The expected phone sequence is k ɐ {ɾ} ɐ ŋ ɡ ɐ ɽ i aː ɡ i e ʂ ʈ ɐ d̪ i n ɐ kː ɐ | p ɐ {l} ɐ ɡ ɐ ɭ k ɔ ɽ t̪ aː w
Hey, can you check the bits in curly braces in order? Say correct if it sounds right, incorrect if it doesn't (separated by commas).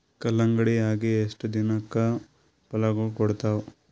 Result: incorrect, correct